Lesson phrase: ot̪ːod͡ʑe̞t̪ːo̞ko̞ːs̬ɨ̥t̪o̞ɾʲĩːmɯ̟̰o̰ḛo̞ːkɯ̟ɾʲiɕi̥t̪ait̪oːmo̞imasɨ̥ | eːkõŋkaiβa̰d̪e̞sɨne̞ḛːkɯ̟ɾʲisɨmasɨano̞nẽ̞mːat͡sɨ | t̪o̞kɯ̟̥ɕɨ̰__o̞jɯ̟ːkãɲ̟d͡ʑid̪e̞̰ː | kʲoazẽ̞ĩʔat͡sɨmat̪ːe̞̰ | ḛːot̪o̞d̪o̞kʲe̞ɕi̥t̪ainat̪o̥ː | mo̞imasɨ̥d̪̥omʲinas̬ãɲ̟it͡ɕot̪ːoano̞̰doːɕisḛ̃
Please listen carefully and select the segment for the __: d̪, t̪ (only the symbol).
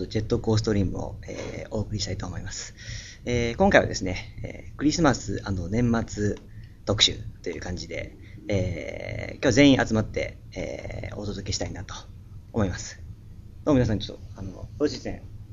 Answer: t̪